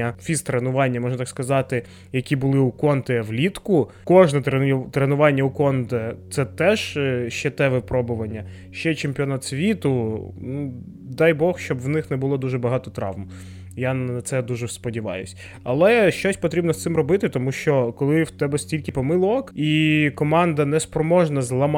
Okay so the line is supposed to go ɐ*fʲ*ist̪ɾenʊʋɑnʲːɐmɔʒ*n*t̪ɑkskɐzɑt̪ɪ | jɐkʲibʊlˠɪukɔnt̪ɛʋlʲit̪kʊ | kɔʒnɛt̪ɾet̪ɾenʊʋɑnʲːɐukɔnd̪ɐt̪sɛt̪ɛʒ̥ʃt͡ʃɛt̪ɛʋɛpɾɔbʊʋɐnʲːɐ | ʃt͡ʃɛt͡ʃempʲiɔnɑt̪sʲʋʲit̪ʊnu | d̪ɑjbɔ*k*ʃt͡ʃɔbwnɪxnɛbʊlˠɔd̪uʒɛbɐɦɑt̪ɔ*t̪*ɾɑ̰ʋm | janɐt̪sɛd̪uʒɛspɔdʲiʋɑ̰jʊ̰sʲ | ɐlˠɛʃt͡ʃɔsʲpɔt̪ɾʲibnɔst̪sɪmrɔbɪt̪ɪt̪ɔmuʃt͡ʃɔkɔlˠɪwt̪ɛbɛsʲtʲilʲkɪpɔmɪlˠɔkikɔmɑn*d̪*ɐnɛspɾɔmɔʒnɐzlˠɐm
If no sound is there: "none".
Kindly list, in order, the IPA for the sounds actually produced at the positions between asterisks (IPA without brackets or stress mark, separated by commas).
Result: fʲ, n, x, t̪, d̪